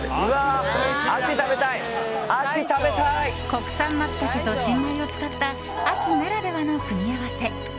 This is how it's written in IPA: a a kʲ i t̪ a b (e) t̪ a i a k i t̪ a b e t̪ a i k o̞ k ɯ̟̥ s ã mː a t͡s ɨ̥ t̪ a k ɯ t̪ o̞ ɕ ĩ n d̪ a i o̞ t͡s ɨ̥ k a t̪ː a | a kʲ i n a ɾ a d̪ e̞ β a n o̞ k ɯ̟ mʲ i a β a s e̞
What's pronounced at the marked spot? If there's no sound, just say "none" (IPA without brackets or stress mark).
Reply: e